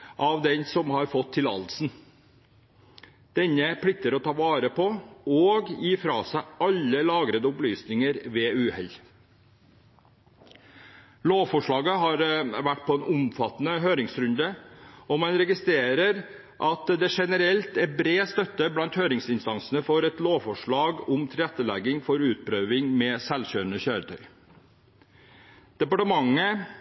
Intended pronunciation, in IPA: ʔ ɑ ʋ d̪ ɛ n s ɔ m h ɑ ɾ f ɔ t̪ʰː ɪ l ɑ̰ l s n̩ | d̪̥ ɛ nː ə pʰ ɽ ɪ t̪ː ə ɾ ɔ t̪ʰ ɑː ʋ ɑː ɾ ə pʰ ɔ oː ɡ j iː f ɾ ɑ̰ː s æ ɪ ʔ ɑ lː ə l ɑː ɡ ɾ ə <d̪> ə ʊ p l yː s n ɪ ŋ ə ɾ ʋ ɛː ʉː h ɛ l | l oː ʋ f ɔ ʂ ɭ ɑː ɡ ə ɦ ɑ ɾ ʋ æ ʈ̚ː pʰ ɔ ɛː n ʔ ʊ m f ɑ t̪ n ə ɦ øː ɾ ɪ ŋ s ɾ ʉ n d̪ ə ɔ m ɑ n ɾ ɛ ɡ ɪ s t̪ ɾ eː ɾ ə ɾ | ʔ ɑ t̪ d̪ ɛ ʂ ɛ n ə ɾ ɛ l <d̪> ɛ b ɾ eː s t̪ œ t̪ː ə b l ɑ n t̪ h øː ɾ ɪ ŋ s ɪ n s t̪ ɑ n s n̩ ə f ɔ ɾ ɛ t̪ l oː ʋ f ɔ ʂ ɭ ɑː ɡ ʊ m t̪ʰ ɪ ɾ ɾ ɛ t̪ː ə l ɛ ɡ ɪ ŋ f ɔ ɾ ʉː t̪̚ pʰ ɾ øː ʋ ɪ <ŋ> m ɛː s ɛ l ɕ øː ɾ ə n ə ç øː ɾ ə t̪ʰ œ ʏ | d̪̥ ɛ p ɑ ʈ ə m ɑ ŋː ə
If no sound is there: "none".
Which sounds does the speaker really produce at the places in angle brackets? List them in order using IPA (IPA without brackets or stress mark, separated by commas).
d̪, t̪, ŋ